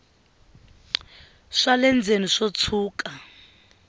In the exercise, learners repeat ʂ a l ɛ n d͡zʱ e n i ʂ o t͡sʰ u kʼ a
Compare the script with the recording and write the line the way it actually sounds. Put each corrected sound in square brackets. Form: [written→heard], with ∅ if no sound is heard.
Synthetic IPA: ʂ a l ɛ n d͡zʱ e n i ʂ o t͡sʰ [u→uː] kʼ a

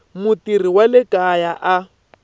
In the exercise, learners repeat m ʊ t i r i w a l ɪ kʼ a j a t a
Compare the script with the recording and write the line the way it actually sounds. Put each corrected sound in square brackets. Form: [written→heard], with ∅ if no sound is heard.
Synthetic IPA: m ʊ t i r i w a l ɪ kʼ a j a [t→ʔ] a

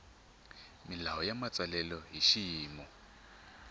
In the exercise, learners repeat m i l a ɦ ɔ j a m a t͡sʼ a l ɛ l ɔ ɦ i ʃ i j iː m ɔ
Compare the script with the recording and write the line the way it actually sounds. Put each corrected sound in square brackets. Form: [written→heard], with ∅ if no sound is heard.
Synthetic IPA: m i l a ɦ ɔ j a m a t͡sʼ a l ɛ l ɔ ɦ i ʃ i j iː m ɔ

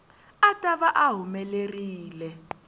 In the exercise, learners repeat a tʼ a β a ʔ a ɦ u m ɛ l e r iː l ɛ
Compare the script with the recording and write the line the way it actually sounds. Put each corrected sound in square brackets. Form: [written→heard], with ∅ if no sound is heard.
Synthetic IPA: a tʼ a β a ʔ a ɦ u m ɛ l e r iː l ɛ

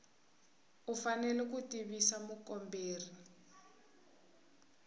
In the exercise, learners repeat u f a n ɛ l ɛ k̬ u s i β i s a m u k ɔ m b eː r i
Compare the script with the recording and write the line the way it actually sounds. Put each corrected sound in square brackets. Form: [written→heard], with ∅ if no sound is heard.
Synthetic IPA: u f a n ɛ l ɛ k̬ u [s→t] i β i s a m u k ɔ m b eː r i

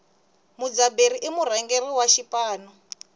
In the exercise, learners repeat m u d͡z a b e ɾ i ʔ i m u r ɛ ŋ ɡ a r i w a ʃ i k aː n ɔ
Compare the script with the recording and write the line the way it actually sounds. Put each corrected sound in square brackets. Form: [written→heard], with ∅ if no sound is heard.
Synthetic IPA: m u d͡z a b e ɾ i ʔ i m u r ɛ ŋ ɡ [a→e] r i w a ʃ i [k→p] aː n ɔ

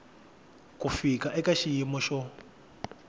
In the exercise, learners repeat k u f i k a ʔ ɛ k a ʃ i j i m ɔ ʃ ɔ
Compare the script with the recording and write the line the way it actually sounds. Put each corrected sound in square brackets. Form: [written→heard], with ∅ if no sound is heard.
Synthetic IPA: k u f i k a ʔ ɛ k a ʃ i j i m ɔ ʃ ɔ

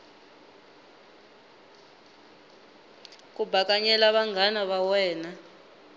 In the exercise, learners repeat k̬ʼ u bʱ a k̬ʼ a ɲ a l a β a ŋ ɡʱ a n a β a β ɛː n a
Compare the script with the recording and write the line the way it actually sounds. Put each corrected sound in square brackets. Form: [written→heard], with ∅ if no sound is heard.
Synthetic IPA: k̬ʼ u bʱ a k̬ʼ a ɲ [a→ɛ] l a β a ŋ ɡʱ a n a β a [β→w] ɛː n a

